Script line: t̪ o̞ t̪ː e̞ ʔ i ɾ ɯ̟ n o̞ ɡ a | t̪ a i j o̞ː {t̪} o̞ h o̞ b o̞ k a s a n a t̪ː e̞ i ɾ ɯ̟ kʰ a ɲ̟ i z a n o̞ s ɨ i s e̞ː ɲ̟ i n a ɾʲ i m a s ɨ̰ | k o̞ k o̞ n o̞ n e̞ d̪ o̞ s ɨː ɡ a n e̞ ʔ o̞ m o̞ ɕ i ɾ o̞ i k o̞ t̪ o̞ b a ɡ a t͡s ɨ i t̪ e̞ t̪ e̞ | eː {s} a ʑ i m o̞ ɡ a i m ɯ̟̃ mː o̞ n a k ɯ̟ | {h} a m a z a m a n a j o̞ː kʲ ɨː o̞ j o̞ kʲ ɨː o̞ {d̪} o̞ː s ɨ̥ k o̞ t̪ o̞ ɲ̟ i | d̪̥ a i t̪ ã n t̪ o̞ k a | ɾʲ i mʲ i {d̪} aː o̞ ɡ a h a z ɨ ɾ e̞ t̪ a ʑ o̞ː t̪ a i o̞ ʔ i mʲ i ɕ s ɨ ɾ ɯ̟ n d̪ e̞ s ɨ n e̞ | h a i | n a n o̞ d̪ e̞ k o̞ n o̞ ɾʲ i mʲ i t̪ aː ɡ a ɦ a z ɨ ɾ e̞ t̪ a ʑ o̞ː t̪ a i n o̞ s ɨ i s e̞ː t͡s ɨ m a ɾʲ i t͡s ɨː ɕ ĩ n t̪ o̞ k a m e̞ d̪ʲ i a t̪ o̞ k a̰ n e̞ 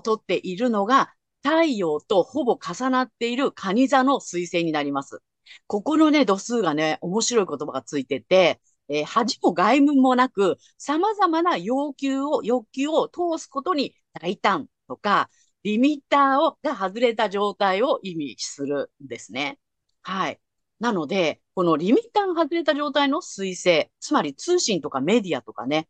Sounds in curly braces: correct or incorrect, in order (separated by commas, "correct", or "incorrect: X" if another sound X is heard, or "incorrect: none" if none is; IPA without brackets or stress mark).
correct, incorrect: h, incorrect: s, incorrect: t̪, incorrect: t̪